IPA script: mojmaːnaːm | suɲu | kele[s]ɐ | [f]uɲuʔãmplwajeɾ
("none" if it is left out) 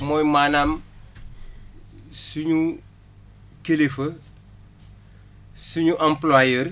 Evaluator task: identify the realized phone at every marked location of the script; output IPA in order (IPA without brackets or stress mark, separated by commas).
f, s